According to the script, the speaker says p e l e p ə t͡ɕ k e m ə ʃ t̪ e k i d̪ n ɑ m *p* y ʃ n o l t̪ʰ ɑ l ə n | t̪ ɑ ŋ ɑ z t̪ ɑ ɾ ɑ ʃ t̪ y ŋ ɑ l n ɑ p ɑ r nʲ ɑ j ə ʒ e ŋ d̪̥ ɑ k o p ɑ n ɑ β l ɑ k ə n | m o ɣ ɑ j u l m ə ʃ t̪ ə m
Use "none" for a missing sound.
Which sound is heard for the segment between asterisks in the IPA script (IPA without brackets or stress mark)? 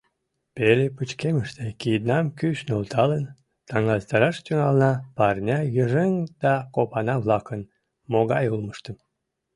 k